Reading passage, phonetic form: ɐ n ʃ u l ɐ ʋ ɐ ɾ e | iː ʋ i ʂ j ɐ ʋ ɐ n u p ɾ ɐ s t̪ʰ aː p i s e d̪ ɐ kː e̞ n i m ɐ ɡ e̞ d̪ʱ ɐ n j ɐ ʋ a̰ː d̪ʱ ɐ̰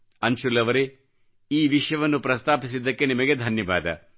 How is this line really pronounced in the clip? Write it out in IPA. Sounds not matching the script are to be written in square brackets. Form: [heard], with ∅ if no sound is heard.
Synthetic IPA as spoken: ɐ n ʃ u l ɐ ʋ ɐ ɾ e | iː ʋ i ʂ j ɐ ʋ ɐ [nː] u p ɾ ɐ s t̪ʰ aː p i s [i] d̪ ɐ kː e̞ n i m ɐ ɡ e̞ d̪ʱ ɐ n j ɐ ʋ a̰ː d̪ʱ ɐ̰